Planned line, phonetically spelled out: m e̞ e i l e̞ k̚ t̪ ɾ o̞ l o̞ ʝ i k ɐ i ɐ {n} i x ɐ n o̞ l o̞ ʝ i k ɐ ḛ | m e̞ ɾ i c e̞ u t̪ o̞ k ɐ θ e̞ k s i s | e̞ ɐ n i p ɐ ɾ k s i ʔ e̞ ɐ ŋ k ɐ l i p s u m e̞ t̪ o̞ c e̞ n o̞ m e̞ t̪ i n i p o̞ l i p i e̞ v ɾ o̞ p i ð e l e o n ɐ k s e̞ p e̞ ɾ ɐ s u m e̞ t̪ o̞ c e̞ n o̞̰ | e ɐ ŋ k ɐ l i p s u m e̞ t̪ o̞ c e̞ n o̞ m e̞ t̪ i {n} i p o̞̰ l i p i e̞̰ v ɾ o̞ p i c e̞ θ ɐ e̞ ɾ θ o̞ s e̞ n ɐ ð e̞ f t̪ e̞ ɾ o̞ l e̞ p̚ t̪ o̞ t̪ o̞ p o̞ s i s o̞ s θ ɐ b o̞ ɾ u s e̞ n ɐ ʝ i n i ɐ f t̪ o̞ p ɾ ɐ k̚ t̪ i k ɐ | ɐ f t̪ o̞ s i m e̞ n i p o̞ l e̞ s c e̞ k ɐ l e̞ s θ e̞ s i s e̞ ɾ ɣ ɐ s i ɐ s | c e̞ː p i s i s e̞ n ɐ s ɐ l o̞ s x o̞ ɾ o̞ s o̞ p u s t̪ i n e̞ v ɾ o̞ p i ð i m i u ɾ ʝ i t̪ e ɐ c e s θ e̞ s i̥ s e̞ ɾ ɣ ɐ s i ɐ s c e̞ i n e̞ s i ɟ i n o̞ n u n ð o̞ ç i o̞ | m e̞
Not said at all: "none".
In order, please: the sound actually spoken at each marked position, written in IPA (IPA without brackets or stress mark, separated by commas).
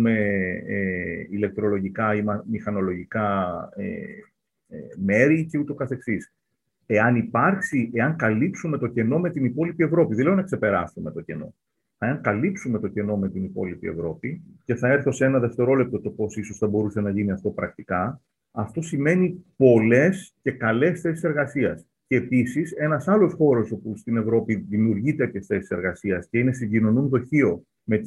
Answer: m, n